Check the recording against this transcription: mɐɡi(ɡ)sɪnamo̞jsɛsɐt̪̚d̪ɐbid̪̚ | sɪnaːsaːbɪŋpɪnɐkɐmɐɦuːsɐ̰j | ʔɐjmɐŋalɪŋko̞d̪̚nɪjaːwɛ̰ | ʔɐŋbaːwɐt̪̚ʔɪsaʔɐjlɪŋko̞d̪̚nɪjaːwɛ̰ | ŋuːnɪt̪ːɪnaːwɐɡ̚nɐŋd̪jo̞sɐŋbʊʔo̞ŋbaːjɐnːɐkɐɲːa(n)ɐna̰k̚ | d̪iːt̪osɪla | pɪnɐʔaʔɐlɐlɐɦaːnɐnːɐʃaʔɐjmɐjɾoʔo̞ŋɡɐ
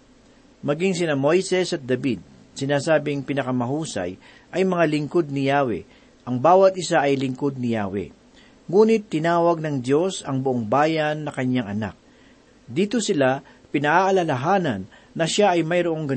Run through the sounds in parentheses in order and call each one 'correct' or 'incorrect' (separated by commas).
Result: incorrect, incorrect